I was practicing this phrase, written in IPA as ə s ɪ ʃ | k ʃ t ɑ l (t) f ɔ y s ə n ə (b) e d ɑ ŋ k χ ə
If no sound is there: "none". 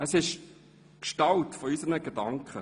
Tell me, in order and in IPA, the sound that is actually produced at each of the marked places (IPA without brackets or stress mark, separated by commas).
t, ɡ